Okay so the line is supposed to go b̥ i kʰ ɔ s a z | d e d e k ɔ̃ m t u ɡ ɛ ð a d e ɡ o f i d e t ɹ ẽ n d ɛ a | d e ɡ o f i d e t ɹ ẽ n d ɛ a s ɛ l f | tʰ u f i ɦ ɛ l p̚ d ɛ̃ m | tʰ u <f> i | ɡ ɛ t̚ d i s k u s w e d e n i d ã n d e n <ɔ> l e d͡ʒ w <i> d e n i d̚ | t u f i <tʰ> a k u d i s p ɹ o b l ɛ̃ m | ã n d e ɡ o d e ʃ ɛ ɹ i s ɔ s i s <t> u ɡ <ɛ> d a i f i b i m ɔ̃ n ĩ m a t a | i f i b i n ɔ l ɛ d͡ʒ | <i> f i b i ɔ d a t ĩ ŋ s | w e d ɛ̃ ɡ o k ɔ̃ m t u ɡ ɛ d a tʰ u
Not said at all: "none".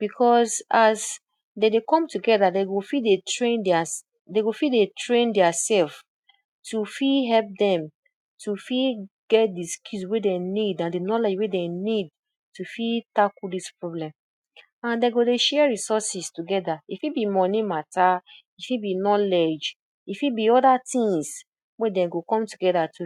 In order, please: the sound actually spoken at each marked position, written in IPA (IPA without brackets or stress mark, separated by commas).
f, ɔ, e, t, t, ɛ, i